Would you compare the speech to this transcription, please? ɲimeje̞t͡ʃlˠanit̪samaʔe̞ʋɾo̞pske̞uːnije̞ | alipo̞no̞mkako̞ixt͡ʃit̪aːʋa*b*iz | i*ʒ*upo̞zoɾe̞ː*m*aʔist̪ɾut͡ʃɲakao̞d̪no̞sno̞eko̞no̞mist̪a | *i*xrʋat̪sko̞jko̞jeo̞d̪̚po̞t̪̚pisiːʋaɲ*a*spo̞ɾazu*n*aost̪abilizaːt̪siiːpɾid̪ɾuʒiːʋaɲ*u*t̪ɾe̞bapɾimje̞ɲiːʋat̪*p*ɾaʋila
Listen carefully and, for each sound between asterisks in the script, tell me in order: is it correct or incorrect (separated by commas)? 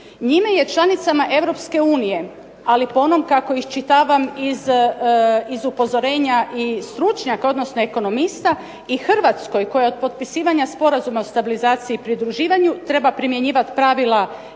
incorrect, incorrect, incorrect, correct, correct, incorrect, correct, correct